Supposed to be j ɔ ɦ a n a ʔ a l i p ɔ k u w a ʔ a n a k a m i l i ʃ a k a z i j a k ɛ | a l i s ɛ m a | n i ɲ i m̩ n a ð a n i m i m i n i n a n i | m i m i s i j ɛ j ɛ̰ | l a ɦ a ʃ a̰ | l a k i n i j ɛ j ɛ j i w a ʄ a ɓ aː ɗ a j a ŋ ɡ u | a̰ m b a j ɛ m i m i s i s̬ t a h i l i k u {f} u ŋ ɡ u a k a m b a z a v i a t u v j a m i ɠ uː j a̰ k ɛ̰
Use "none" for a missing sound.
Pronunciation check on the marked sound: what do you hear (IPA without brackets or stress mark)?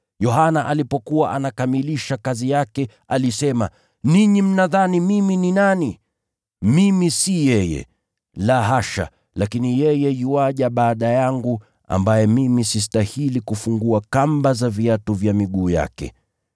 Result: f